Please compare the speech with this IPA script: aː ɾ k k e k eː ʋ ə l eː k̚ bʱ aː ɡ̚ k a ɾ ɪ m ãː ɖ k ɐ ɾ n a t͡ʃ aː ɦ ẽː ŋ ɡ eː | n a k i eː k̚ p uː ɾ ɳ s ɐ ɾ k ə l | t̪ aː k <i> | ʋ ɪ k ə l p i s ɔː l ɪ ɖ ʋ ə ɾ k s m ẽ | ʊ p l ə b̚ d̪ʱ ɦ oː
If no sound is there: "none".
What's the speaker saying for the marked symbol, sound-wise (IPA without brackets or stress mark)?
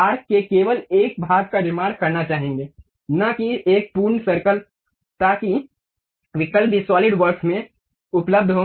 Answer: i